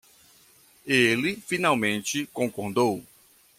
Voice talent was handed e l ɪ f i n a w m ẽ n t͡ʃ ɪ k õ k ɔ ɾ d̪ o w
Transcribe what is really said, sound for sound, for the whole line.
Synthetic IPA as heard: e l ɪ f i n a w m ẽ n t͡ʃ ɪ k õ k o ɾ d̪ o w